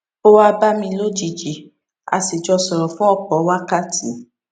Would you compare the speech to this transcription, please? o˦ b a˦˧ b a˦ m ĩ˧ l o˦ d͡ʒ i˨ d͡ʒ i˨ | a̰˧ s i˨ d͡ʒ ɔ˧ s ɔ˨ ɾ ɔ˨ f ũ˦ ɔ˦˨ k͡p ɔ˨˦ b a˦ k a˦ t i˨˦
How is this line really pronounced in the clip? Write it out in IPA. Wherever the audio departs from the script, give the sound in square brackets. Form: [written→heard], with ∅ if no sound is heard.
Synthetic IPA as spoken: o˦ [b→w] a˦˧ b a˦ m ĩ˧ l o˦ d͡ʒ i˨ d͡ʒ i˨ | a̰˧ s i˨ d͡ʒ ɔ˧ s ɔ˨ ɾ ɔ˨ f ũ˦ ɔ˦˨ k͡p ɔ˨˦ [b→w] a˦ k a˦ t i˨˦